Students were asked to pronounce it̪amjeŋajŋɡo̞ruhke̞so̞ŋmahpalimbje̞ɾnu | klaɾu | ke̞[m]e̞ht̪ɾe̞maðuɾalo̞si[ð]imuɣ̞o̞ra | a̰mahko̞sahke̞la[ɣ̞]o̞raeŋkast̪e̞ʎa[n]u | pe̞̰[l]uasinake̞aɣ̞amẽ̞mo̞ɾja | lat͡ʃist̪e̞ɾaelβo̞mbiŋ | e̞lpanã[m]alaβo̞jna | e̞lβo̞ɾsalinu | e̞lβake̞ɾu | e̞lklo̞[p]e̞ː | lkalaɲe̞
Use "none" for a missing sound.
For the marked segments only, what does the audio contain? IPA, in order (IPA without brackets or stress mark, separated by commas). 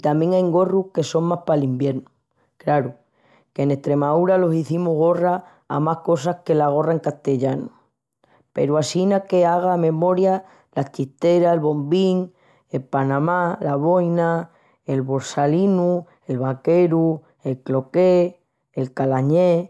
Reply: n, θ, ɣ̞, n, ɾ, m, k